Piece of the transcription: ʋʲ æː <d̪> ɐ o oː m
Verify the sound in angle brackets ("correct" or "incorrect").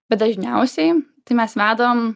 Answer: correct